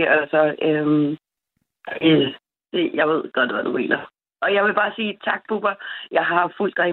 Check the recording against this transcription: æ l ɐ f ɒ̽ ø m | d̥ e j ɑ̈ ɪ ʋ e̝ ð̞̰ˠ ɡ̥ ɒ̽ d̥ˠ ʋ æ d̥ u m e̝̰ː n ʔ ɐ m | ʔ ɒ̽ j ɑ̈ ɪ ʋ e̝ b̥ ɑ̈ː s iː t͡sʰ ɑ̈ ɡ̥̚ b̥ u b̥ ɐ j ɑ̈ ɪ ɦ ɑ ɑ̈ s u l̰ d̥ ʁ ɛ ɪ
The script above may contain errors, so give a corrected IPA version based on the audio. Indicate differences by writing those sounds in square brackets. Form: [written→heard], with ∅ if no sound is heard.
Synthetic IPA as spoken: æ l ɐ [f→s] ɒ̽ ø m | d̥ e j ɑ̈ ɪ ʋ e̝ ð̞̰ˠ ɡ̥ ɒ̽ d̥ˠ ʋ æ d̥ u m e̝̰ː n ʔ ɐ [m→∅] | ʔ ɒ̽ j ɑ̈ ɪ ʋ e̝ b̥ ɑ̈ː s iː t͡sʰ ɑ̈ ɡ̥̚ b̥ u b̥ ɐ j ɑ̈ ɪ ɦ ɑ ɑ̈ [s→f] u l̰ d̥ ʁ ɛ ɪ